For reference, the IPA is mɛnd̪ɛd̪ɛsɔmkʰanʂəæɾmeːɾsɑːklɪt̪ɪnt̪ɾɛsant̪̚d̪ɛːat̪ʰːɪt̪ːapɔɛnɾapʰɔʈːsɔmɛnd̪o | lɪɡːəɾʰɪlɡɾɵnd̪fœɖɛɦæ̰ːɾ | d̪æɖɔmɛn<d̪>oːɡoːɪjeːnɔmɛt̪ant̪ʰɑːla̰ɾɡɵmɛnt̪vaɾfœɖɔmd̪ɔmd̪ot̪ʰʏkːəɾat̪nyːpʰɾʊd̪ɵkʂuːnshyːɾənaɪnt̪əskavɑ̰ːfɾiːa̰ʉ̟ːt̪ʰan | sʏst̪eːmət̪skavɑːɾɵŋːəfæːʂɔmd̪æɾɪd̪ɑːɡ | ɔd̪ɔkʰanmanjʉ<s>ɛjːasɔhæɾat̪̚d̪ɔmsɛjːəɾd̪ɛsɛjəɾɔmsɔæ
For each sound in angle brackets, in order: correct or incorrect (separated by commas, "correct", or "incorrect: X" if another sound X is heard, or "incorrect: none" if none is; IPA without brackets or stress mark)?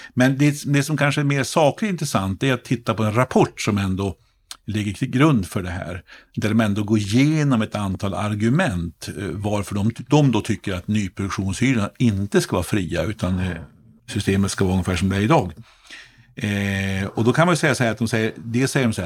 correct, correct